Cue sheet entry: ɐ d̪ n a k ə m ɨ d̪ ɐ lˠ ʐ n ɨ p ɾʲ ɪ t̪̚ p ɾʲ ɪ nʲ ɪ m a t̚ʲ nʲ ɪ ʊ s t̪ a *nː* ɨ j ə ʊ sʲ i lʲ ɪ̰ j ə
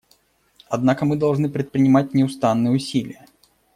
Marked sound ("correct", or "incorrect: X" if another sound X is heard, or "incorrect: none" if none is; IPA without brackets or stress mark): correct